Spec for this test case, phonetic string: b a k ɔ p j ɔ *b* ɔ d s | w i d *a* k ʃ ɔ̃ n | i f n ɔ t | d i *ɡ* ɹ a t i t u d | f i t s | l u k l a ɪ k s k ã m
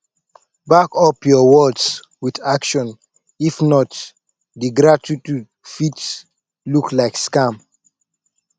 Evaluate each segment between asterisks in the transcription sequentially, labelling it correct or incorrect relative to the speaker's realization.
incorrect, correct, correct

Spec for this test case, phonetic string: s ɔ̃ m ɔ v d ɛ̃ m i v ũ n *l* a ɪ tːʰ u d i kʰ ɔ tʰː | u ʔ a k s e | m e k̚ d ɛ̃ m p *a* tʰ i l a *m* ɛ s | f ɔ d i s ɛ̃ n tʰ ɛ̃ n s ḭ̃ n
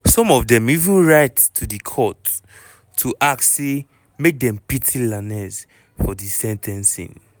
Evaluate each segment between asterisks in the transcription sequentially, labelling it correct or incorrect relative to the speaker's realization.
incorrect, incorrect, incorrect

